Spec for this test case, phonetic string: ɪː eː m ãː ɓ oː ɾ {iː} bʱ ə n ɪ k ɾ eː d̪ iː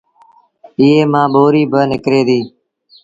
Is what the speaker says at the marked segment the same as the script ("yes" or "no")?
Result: yes